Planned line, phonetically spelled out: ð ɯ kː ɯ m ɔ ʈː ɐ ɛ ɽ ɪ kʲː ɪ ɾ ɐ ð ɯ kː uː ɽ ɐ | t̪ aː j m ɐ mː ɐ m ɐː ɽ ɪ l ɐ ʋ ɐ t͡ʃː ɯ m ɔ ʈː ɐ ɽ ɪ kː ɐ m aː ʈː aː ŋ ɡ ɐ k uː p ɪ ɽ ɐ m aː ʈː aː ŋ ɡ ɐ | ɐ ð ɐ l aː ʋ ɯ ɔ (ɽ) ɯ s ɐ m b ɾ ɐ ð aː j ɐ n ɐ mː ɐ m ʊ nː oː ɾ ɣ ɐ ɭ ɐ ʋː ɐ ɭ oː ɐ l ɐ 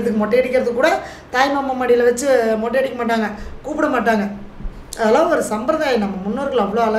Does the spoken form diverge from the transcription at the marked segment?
yes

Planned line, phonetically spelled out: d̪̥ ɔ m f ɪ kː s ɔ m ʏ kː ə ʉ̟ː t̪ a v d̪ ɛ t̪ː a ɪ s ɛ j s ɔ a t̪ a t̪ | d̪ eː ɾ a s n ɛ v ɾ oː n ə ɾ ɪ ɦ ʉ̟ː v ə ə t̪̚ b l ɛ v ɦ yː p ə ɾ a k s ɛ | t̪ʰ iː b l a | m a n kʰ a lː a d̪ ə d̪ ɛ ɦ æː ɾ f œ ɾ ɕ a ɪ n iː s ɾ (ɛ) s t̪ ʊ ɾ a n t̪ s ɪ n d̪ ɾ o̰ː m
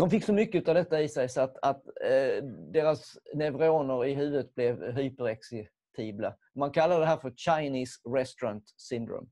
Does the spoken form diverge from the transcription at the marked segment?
no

